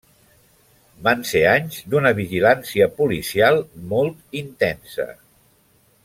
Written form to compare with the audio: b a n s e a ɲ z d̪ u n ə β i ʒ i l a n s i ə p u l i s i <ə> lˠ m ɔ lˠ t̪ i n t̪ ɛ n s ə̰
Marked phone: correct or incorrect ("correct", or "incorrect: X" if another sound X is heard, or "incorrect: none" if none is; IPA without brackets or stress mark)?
incorrect: a